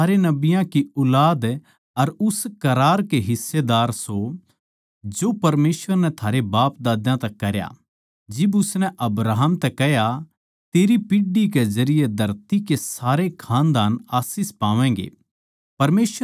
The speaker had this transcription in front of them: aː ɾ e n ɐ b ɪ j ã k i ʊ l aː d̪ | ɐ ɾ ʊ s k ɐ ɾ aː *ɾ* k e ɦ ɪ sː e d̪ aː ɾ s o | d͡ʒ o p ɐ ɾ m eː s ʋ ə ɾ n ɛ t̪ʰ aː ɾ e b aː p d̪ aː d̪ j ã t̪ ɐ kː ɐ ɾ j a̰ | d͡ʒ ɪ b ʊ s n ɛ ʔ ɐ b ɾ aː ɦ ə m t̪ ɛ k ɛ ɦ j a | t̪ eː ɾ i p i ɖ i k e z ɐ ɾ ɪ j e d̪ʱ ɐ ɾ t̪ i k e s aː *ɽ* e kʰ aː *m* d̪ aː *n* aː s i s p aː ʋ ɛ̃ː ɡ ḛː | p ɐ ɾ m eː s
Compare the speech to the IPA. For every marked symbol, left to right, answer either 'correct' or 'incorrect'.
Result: correct, incorrect, incorrect, correct

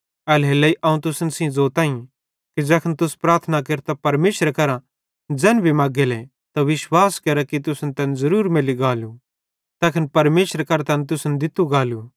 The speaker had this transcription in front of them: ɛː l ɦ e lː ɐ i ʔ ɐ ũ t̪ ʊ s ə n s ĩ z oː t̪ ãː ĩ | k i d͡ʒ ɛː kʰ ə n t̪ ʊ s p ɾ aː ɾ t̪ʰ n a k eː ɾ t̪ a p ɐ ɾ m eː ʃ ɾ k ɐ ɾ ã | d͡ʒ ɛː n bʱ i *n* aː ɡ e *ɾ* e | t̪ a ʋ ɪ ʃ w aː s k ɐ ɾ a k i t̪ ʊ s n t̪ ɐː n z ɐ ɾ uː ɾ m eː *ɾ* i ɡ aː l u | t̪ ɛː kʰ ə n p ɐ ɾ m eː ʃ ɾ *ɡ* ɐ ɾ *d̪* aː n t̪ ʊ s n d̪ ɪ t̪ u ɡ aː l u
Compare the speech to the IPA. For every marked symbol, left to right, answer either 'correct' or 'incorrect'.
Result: incorrect, incorrect, incorrect, incorrect, incorrect

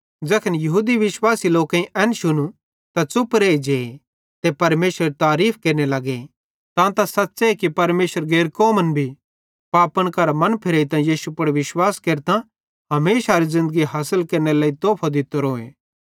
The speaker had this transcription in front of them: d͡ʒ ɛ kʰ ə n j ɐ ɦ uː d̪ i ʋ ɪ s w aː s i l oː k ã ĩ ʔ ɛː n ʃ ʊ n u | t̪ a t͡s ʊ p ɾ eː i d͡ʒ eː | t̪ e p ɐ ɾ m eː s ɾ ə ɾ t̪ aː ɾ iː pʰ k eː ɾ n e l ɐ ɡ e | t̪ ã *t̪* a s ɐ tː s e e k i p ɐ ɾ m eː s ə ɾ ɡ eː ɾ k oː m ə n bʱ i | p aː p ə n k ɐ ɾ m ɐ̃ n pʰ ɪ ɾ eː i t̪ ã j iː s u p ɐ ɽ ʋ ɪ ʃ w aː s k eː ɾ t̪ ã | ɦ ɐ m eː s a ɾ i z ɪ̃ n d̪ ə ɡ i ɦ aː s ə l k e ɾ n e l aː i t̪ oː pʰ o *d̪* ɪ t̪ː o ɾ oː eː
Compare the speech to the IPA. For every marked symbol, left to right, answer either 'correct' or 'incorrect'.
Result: correct, correct

